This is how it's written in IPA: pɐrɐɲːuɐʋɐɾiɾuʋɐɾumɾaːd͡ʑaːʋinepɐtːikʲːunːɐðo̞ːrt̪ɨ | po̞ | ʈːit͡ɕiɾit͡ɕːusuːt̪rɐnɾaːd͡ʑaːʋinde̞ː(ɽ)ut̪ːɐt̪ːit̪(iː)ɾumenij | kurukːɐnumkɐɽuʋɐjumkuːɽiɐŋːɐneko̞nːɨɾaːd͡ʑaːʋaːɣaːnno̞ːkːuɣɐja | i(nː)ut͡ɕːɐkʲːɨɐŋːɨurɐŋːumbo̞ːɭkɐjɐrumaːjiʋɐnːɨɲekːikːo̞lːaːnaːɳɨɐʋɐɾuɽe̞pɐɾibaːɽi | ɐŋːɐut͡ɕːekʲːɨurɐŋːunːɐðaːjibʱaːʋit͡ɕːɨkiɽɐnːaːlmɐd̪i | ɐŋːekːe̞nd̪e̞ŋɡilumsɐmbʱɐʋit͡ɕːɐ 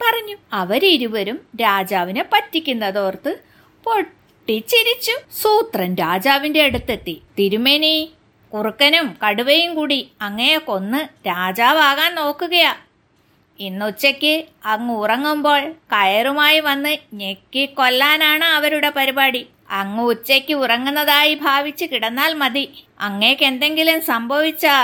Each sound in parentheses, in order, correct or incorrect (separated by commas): correct, incorrect, correct